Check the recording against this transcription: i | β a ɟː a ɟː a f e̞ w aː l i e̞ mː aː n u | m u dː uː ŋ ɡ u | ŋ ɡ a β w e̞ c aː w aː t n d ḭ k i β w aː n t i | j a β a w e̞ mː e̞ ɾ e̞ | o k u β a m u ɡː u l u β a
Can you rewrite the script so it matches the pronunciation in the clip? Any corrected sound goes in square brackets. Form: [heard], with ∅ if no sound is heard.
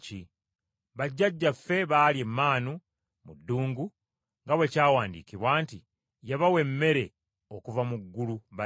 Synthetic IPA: i | β a ɟː a ɟː a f e̞ [β] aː l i e̞ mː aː n u | m u dː uː ŋ ɡ u | ŋ ɡ a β w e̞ c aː w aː [∅] n d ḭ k i β w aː n t i | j a β a w e̞ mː e̞ ɾ e̞ | o k u [v] a m u ɡː u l u β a